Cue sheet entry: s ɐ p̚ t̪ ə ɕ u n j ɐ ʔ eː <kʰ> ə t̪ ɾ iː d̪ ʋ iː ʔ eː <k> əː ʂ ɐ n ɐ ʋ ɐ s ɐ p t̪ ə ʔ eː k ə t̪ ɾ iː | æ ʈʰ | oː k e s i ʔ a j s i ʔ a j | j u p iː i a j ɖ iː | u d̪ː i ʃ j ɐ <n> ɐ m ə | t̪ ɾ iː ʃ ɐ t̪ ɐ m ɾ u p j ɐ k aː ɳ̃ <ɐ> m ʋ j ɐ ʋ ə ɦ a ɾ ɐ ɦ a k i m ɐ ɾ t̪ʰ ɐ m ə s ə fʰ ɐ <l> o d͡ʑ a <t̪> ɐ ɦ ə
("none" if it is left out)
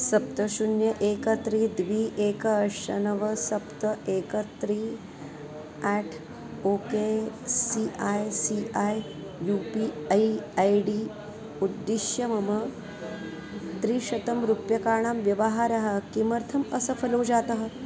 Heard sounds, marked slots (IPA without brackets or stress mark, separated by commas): k, k, m, a, l, t̪